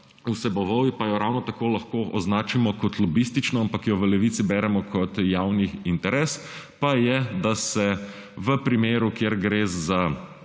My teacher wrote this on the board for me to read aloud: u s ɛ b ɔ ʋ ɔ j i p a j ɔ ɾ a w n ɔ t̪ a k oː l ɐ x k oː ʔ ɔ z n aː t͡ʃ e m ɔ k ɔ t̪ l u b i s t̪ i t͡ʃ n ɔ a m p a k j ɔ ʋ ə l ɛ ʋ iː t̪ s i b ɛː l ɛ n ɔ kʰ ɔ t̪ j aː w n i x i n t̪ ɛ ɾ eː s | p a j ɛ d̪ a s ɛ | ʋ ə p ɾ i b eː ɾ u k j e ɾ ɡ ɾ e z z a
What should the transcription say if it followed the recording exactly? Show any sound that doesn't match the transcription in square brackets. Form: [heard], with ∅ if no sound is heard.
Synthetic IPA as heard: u s ɛ b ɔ ʋ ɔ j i p a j ɔ ɾ a w n ɔ t̪ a k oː l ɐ x k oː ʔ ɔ z n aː t͡ʃ [i] m ɔ k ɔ t̪ l [ɔ] b i s t̪ i t͡ʃ n ɔ a m p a k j ɔ ʋ ə l ɛ ʋ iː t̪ s i b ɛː [ɾ] ɛ [m] ɔ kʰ ɔ t̪ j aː w n i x i n t̪ ɛ ɾ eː s | p a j ɛ d̪ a s ɛ | ʋ ə p ɾ i [m] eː ɾ u k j e ɾ ɡ ɾ e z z a